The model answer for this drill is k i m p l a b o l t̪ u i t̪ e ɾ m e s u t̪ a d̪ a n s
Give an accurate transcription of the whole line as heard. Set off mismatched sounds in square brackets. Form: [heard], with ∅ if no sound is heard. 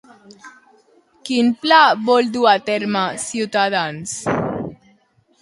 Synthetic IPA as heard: k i [n] p l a b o l [d̪] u [a] t̪ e ɾ m [a] s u t̪ a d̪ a n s